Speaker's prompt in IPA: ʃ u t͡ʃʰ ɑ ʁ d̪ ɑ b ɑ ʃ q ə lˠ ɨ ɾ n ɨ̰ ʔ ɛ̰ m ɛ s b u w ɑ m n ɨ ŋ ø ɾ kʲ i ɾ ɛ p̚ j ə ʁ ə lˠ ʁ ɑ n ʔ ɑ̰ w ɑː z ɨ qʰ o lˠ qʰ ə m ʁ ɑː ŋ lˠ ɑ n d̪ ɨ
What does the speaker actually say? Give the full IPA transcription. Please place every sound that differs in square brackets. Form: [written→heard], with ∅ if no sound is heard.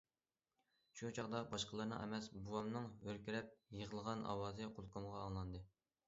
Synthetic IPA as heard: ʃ u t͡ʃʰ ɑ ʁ d̪ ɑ b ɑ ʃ q ə lˠ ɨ ɾ n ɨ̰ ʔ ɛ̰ m ɛ s b u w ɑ m n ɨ ŋ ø ɾ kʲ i ɾ ɛ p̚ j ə ʁ ə lˠ ʁ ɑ n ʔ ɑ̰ w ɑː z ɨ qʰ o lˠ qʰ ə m ʁ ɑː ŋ lˠ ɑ n d̪ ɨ

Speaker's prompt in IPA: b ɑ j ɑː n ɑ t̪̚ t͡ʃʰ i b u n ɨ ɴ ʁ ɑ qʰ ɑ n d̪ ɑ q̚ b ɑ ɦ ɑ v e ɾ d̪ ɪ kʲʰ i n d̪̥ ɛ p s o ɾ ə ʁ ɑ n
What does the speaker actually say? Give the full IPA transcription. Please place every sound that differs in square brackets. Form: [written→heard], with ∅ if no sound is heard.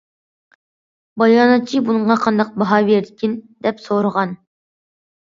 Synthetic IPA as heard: b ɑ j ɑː n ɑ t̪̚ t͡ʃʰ i b u n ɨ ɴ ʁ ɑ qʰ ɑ n d̪ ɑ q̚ b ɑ ɦ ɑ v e ɾ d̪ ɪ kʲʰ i n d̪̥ ɛ p s o ɾ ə ʁ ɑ n

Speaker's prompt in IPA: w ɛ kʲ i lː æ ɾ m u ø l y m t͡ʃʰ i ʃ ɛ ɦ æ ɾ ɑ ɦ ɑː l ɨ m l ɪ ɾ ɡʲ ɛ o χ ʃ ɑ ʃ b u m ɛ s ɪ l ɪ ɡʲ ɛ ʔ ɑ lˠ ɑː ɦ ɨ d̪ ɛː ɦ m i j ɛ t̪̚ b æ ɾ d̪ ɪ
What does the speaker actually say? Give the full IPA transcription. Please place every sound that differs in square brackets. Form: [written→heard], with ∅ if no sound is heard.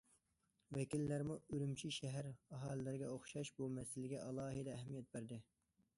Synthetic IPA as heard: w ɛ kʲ i lː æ ɾ m u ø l y m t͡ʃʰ i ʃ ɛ ɦ æ ɾ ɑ ɦ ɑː l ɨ [m→∅] l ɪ ɾ ɡʲ ɛ o χ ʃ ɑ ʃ b u m ɛ s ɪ l ɪ ɡʲ ɛ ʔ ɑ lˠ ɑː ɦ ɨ d̪ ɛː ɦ m i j ɛ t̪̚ b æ ɾ d̪ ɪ

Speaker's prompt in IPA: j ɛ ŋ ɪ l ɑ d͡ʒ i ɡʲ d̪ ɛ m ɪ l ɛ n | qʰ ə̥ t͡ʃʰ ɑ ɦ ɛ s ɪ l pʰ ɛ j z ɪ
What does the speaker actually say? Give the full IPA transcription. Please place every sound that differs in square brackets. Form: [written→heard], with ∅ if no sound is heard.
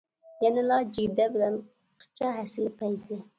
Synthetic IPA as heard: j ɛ [ŋ→n] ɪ l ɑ d͡ʒ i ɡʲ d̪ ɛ [m→b] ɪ l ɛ n | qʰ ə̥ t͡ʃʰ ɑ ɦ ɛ s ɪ l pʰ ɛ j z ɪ

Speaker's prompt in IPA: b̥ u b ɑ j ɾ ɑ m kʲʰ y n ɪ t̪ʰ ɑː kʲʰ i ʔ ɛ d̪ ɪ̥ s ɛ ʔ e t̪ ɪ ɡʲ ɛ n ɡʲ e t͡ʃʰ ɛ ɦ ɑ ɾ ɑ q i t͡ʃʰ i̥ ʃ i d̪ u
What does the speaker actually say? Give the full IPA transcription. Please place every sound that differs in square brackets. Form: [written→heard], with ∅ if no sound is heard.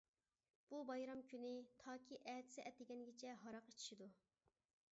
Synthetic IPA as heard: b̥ u b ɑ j ɾ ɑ m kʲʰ y n ɪ t̪ʰ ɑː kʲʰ i ʔ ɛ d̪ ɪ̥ s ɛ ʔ [e→ɛ] t̪ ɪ ɡʲ ɛ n ɡʲ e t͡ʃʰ ɛ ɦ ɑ ɾ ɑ q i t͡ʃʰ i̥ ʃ i d̪ u

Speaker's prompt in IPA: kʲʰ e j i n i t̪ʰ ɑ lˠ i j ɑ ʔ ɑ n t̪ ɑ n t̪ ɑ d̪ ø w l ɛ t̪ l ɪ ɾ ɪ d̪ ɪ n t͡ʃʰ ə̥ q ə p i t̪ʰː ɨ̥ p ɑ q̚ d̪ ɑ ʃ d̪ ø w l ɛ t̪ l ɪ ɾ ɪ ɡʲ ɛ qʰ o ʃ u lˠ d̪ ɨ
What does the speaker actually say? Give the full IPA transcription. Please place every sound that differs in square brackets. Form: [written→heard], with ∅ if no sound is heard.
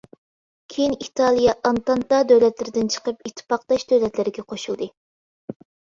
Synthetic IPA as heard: kʲʰ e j i n i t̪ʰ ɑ lˠ i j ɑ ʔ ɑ n t̪ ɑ n t̪ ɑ d̪ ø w l ɛ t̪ l ɪ ɾ ɪ d̪ ɪ n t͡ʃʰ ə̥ q ə p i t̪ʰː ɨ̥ p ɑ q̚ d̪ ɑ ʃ d̪ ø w l ɛ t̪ l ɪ ɾ ɪ ɡʲ ɛ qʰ o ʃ u lˠ d̪ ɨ

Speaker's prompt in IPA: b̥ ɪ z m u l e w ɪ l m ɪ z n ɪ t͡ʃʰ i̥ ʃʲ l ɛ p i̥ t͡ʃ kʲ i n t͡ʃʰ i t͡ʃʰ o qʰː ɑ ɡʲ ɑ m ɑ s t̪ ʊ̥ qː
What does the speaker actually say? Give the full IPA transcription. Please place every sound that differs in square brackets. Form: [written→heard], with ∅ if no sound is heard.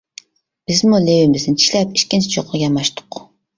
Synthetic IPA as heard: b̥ ɪ z m u l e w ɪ [l→∅] m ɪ z n ɪ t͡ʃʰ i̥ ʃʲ l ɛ p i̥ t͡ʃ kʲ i n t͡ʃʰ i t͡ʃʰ o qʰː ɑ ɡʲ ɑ m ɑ [s→ʃ] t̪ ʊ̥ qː

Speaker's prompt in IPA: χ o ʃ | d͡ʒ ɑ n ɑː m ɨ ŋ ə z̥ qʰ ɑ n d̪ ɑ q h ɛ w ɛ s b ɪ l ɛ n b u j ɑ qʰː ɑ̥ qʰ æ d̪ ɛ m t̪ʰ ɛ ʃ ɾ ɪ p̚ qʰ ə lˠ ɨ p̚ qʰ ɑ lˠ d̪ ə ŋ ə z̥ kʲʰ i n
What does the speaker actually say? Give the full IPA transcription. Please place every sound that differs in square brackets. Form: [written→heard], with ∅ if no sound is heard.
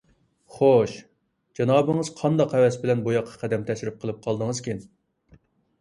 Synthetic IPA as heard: χ o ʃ | d͡ʒ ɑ n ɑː [m→b] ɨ ŋ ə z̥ qʰ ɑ n d̪ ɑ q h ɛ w ɛ s b ɪ l ɛ n b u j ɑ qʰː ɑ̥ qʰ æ d̪ ɛ m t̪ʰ ɛ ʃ ɾ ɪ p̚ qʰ ə lˠ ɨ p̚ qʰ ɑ lˠ d̪ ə ŋ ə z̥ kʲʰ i n

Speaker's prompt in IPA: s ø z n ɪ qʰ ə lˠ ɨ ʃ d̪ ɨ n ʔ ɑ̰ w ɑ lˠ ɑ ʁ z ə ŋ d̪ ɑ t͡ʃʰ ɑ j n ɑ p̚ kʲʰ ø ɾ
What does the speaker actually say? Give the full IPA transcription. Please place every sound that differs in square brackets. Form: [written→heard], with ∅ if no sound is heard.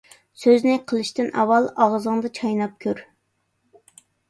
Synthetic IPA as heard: s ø z n ɪ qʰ ə lˠ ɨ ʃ [d̪→t̪] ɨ n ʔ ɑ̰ w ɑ lˠ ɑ ʁ z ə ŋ d̪ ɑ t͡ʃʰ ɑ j n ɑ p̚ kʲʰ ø ɾ

